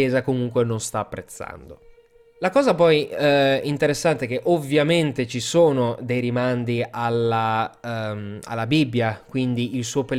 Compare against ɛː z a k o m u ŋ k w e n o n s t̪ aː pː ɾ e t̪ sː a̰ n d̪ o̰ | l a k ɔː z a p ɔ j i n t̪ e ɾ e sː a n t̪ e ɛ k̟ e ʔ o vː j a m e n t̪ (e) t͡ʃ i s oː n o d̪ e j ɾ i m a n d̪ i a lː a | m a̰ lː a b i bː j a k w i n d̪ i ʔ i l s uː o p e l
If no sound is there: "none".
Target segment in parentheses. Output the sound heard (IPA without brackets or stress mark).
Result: e